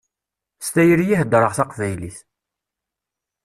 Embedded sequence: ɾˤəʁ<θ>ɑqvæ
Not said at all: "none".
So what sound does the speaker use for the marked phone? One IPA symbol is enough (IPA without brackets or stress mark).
θ